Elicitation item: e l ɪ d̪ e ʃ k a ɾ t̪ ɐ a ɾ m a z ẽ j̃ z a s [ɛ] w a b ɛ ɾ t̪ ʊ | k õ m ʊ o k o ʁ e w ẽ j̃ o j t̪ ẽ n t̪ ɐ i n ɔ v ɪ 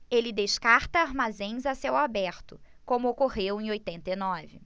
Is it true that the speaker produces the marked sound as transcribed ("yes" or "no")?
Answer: no